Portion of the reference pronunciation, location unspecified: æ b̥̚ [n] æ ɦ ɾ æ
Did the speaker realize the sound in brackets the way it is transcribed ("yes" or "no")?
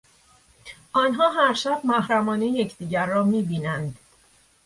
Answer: no